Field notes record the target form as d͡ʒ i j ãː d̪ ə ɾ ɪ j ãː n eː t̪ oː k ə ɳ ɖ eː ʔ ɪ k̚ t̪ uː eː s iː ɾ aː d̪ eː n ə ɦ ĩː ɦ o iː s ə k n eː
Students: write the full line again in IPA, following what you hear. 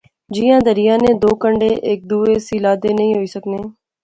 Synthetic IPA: d͡ʒ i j ãː d̪ ə ɾ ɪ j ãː n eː d̪ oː k ə ɳ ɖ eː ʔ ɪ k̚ d̪ uː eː s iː l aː d̪ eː n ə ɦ ĩː ɦ o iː s ə k n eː